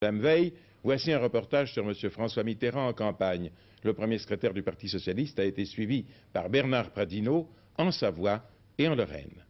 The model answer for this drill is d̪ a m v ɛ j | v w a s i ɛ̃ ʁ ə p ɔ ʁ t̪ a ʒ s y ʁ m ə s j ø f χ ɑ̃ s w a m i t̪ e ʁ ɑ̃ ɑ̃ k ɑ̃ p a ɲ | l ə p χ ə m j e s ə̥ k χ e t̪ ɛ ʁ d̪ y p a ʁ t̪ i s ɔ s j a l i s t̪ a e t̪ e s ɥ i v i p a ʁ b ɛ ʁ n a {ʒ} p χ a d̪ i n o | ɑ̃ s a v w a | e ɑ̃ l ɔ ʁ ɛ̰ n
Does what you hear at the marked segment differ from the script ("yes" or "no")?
yes